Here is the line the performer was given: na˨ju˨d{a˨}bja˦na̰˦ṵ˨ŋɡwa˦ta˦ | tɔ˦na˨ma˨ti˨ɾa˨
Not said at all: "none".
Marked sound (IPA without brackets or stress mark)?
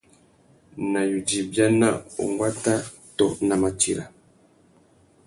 i˨